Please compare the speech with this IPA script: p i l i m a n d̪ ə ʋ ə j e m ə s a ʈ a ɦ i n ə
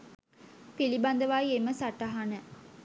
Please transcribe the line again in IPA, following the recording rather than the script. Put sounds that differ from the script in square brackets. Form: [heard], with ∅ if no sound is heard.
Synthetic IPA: p i l i [b] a n d̪ ə ʋ [a] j e m ə s a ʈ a ɦ [a] n ə